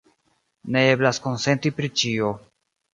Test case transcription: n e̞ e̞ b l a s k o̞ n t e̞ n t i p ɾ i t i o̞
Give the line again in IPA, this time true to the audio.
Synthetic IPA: n e̞ e̞ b l a s k o̞ n s e̞ n t i p ɾ i t͡ʃ i o̞